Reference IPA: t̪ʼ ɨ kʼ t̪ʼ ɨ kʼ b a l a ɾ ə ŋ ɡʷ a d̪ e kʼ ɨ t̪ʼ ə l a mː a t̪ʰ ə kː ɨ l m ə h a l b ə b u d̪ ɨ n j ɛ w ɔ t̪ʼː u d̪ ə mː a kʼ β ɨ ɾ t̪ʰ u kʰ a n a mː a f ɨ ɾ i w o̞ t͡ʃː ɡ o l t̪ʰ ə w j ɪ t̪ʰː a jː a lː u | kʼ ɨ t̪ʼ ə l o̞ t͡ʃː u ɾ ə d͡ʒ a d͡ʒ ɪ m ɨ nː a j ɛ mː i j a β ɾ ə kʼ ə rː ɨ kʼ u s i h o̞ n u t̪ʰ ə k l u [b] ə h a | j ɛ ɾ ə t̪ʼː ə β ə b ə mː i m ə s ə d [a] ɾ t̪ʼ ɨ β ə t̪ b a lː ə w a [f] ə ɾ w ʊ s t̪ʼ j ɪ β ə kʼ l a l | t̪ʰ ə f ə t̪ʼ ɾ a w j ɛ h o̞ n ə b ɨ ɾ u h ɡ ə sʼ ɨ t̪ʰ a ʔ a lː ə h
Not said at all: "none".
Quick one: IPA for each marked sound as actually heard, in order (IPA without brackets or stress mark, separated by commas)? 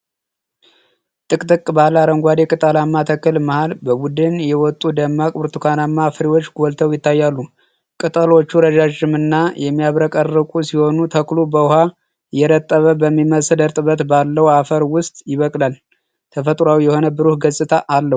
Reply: b, ə, f